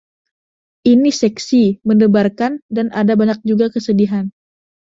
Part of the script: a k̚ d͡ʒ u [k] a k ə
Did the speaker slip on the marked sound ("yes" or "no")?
yes